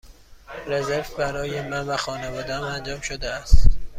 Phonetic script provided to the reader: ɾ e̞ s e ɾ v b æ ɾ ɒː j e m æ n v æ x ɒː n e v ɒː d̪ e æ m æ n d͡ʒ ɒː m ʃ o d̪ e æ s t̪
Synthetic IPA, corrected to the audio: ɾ e̞ z e ɾ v b æ ɾ ɒː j e m æ n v æ x ɒː n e v ɒː d̪ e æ m æ n d͡ʒ ɒː m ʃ o d̪ e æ s t̪